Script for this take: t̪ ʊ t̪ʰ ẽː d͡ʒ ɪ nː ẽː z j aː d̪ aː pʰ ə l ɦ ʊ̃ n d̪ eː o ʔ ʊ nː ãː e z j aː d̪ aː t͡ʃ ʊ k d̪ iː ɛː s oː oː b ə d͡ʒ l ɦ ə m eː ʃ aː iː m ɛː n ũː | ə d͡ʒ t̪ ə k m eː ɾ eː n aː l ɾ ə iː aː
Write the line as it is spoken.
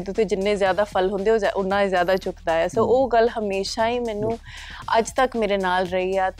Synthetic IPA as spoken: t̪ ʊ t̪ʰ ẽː d͡ʒ ɪ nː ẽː z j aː d̪ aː pʰ ə l ɦ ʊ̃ n d̪ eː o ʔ ʊ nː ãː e z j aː d̪ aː t͡ʃ ʊ k d̪ aː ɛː s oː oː ɡ ə l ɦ ə m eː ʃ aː iː m ɛː n ũː | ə d͡ʒ t̪ ə k m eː ɾ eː n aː l ɾ ə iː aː